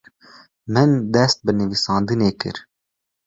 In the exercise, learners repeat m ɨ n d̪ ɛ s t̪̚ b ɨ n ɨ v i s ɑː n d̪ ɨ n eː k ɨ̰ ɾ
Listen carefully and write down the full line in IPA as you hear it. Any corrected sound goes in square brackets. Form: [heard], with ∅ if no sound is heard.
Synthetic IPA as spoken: m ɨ n d̪ ɛ s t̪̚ b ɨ n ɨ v i s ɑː n d̪ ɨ n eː k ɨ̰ ɾ